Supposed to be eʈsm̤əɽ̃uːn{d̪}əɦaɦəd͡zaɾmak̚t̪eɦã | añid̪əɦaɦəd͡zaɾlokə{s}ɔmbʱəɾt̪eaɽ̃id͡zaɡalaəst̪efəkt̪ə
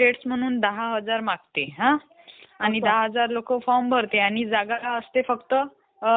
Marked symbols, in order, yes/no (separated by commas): yes, no